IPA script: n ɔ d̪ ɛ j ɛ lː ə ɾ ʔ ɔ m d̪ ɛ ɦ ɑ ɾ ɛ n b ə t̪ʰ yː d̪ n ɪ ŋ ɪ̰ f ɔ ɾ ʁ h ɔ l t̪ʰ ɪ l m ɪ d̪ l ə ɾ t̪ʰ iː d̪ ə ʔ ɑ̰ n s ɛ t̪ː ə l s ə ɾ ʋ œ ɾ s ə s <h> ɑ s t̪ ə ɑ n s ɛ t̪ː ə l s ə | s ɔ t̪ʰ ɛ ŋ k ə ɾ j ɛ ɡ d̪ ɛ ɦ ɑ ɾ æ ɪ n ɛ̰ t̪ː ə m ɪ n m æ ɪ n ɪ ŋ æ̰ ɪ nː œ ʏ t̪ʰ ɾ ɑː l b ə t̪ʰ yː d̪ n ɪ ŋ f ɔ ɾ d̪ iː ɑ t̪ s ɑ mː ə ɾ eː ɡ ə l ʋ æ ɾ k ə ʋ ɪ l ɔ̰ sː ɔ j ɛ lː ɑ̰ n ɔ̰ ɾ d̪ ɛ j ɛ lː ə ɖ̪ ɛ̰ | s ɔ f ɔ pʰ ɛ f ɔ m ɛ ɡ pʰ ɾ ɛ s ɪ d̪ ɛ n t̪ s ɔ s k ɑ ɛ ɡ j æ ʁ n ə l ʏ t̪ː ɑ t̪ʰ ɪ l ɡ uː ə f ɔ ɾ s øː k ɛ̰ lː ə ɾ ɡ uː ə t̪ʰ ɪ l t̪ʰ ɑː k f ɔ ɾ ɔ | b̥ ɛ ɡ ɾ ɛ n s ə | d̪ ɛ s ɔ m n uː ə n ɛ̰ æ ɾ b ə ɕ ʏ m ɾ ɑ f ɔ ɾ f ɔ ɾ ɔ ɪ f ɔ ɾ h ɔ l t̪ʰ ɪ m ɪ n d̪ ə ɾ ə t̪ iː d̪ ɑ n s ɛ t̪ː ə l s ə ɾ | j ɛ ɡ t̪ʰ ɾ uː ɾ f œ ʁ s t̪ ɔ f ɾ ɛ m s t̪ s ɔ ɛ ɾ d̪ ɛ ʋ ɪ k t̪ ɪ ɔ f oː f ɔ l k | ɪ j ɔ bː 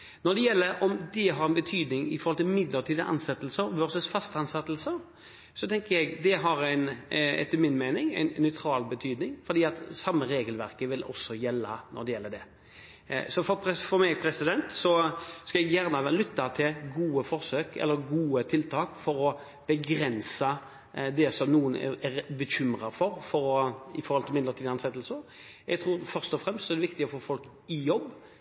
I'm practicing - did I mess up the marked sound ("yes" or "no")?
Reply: yes